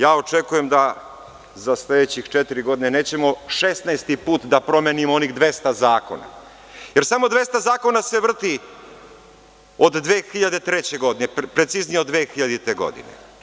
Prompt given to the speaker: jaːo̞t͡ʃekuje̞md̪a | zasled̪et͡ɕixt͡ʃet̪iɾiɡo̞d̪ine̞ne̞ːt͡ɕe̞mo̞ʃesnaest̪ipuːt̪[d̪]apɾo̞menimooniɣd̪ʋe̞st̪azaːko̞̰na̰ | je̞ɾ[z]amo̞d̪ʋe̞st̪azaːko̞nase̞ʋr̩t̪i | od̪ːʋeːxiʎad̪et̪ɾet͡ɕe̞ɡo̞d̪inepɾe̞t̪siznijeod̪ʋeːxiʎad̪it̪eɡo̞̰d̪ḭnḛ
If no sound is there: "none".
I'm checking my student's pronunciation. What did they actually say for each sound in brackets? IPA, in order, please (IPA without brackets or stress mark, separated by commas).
d̪, s